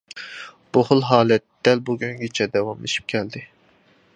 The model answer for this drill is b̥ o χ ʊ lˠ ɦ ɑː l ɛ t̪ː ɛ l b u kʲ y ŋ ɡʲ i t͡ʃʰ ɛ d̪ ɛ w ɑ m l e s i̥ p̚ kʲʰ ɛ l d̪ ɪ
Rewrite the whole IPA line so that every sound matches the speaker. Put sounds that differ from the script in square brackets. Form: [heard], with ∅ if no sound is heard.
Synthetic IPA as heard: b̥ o χ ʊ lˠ ɦ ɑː l ɛ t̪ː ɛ l b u [ɡʲ] y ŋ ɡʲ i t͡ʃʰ ɛ d̪ ɛ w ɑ m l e [ʃ] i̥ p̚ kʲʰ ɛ l d̪ ɪ